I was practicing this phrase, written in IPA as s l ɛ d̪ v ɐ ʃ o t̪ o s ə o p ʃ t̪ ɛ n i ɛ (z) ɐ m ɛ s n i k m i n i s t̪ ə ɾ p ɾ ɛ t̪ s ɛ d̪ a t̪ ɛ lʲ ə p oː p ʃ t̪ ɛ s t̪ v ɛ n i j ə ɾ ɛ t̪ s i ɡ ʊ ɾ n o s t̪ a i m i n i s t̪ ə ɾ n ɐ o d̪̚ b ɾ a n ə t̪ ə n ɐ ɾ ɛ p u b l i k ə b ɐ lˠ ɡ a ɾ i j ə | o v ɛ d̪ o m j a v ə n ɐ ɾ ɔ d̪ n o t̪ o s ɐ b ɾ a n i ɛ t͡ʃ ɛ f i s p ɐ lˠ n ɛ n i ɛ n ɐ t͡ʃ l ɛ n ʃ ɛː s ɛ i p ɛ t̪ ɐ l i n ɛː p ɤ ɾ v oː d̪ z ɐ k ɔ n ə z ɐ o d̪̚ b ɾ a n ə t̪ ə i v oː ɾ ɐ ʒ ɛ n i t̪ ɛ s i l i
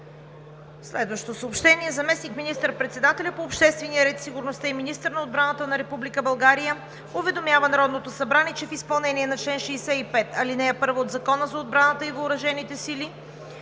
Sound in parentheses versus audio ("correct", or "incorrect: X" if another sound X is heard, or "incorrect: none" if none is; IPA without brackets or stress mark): correct